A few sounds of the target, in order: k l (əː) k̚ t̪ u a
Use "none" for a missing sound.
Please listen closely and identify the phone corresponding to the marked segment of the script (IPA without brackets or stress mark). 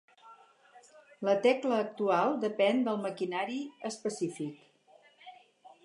əː